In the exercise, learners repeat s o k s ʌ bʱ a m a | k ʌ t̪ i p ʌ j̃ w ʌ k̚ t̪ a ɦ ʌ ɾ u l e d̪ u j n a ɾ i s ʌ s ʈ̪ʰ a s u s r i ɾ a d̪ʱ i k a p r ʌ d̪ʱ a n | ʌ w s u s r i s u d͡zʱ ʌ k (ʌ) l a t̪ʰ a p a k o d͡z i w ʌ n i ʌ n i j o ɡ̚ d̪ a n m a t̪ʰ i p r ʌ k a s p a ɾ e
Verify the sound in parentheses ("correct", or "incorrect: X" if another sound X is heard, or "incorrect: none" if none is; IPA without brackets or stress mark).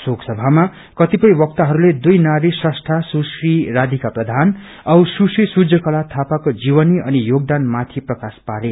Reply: correct